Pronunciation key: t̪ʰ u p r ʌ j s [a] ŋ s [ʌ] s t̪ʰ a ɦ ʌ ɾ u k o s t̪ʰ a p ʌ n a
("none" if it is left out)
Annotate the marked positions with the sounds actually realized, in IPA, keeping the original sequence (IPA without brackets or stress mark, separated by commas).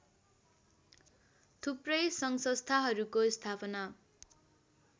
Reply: ʌ, ʌ